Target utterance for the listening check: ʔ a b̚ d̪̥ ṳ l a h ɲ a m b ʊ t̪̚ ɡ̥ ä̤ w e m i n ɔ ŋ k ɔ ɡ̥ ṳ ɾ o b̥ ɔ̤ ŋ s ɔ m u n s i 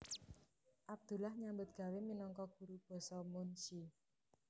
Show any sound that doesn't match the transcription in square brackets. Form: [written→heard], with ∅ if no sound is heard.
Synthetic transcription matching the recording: ʔ a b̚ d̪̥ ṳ l a h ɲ a m b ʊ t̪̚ ɡ̥ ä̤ w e m i n ɔ ŋ k ɔ ɡ̥ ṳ ɾ [o→u] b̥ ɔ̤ [ŋ→∅] s ɔ m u n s i